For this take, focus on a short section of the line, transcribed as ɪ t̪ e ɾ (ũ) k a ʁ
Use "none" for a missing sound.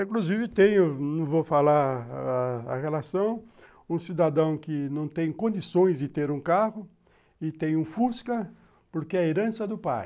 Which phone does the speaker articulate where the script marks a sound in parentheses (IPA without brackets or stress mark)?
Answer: ũ